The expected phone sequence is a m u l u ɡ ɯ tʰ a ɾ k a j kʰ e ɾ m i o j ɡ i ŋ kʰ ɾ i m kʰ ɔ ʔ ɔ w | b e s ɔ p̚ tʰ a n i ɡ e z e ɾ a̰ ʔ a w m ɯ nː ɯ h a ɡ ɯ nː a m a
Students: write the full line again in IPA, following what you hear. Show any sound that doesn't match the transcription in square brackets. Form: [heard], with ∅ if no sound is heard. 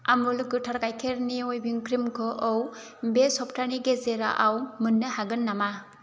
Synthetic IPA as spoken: a m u l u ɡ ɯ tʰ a ɾ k a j kʰ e ɾ [n] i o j [b] i ŋ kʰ ɾ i m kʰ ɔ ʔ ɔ w | b e s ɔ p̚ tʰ a n i ɡ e z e ɾ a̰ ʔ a w m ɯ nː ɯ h a ɡ ɯ nː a m a